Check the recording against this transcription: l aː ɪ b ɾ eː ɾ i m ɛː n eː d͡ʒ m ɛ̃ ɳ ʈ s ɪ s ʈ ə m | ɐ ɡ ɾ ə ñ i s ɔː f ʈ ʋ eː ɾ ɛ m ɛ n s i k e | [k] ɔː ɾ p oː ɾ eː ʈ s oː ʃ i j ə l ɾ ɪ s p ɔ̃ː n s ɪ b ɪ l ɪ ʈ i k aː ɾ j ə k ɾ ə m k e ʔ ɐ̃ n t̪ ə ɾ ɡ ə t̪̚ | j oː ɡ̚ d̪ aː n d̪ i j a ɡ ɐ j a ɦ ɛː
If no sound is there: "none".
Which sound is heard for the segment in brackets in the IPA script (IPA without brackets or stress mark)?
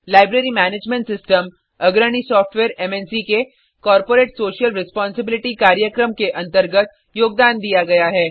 k